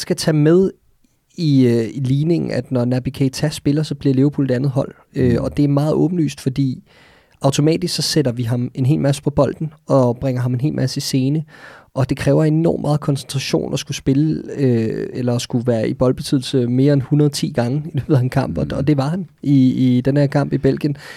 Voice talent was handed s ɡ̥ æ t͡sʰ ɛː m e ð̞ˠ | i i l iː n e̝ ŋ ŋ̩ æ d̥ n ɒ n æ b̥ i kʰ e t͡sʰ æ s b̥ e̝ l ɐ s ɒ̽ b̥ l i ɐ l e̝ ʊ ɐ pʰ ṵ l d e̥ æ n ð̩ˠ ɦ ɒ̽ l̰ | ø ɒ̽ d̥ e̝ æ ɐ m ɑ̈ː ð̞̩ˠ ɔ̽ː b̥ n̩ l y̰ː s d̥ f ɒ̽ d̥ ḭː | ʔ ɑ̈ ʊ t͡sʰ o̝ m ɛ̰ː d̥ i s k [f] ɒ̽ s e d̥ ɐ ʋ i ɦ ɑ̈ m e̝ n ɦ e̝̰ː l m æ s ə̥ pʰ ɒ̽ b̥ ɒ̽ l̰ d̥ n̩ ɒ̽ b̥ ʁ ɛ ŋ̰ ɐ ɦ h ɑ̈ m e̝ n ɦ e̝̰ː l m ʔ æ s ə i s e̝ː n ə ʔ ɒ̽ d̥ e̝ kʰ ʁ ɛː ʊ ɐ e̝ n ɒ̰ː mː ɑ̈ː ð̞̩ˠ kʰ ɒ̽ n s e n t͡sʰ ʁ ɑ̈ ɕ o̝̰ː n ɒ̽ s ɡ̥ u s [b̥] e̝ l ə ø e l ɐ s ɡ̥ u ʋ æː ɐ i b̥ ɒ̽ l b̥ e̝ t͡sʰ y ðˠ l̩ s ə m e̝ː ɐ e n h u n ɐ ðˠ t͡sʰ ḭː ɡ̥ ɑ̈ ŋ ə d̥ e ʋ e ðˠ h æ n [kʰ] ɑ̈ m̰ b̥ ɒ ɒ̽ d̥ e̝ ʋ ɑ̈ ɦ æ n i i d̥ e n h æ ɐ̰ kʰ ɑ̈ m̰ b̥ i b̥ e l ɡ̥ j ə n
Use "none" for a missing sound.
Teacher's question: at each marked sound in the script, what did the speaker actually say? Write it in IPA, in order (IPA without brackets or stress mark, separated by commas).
s, b̥, kʰ